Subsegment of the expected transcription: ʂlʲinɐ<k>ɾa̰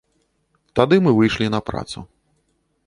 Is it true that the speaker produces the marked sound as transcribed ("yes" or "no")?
no